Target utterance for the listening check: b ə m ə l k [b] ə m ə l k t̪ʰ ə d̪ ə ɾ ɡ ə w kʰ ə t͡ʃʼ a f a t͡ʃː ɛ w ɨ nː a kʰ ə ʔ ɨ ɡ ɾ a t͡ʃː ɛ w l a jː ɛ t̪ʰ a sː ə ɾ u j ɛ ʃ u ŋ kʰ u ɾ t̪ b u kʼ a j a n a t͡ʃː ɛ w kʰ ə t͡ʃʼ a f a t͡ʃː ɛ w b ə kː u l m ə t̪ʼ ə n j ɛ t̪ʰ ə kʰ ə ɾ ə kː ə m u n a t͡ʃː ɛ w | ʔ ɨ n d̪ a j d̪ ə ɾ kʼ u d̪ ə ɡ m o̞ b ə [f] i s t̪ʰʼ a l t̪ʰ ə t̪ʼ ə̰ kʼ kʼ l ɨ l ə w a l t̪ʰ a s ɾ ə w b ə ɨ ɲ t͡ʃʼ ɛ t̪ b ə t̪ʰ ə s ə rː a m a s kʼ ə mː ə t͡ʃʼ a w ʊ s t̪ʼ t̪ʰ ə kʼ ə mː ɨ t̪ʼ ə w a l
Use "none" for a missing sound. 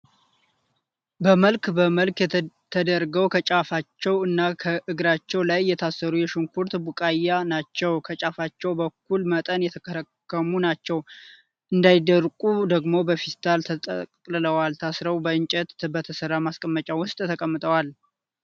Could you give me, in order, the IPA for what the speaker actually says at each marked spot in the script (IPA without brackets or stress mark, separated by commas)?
b, f